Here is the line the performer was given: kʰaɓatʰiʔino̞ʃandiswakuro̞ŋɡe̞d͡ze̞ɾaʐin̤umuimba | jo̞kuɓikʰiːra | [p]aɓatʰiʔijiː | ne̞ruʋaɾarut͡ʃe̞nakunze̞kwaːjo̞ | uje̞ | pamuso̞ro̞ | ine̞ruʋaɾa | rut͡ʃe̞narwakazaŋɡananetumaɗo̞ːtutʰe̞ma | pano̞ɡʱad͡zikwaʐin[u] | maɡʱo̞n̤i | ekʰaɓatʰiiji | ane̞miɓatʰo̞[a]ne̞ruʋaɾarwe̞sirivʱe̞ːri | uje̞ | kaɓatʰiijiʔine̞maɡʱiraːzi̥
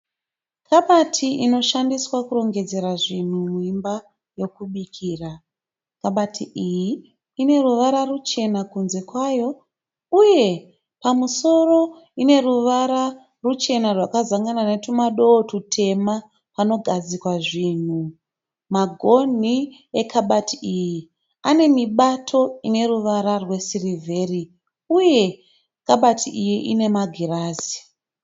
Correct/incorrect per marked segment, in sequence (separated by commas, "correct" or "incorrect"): incorrect, correct, incorrect